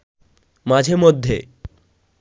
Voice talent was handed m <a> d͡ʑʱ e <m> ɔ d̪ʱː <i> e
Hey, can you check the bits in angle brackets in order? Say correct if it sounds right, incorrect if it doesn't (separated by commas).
correct, correct, incorrect